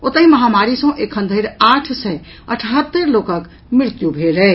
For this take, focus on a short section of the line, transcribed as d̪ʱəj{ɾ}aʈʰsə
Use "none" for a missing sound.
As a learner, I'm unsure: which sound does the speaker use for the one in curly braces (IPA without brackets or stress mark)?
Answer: ɾ